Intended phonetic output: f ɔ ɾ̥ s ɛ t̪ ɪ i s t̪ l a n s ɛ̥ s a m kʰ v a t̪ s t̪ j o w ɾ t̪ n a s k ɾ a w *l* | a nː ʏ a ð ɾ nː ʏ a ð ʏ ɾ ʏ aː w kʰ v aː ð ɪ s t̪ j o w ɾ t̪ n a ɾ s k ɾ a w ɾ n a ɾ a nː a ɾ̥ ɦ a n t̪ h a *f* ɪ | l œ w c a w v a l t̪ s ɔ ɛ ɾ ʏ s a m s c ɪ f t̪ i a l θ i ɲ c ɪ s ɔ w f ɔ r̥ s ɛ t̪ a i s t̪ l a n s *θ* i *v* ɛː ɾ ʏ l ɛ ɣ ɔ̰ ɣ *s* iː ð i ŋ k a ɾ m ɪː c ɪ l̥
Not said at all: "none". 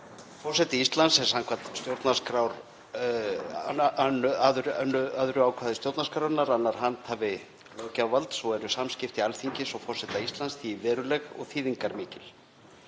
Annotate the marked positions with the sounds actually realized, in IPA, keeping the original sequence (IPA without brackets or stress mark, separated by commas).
ɾ, v, θ, v, θ